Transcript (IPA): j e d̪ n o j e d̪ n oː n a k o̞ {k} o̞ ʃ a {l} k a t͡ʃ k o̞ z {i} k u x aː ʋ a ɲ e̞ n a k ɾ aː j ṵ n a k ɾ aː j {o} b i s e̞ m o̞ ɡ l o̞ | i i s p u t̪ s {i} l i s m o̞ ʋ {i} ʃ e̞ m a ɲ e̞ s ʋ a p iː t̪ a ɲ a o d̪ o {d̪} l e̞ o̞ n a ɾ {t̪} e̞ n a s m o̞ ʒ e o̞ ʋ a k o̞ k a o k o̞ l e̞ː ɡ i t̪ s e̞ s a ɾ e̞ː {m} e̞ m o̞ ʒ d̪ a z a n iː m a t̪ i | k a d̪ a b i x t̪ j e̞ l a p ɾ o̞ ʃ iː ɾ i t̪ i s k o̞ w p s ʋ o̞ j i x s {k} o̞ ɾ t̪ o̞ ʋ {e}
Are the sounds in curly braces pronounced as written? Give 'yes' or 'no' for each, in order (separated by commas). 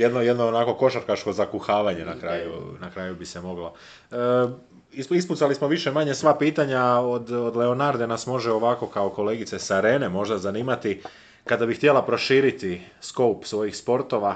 yes, no, no, no, no, yes, yes, no, no, no, no